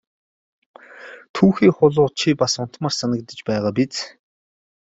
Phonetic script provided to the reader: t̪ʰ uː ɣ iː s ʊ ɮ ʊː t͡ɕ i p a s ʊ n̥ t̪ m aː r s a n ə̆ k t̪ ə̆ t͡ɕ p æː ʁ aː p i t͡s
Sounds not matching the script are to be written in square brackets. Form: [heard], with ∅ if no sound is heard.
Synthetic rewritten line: t̪ʰ uː [x] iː [χ] ʊ ɮ ʊː [t͡ɕʰ] i p a s ʊ n̥ t̪ m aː r s a n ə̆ k t̪ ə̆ t͡ɕ p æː ʁ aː p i t͡s